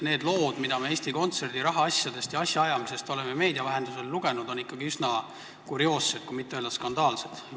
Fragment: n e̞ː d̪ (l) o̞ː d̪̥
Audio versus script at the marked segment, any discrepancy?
no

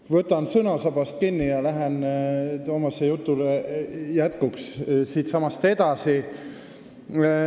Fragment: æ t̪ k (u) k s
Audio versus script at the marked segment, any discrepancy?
no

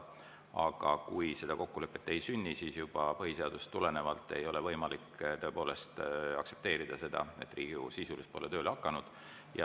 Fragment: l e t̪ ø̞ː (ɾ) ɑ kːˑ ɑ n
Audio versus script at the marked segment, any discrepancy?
yes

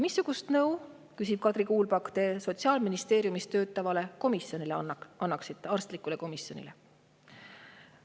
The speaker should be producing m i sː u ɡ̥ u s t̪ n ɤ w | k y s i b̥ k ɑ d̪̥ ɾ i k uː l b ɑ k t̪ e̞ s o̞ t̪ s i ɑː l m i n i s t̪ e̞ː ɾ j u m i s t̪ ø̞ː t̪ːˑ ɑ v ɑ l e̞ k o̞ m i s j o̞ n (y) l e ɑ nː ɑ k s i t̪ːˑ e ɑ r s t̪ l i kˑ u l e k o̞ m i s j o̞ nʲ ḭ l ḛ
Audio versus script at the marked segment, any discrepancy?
yes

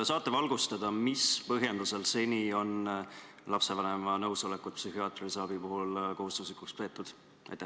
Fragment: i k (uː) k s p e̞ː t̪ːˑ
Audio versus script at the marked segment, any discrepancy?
yes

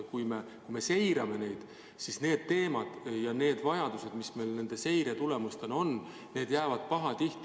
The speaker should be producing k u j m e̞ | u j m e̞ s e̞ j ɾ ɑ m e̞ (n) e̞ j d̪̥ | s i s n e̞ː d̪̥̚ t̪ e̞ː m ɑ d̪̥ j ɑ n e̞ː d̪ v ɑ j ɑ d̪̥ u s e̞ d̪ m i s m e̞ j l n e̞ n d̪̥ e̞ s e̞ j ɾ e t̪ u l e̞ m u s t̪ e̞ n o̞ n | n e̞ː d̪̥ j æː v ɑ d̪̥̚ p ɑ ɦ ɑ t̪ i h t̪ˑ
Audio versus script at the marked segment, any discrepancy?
no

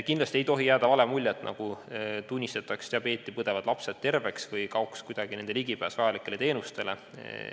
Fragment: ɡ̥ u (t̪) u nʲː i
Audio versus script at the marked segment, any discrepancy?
no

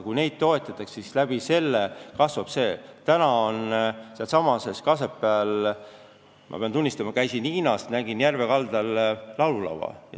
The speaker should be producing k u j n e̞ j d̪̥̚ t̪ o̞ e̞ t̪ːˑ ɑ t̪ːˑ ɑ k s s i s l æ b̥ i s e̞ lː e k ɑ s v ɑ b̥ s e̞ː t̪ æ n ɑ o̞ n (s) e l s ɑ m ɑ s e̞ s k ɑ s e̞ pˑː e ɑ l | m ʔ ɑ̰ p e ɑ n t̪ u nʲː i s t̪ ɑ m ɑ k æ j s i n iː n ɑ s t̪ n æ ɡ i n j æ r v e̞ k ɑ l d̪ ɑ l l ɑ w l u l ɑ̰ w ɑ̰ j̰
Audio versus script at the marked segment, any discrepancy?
no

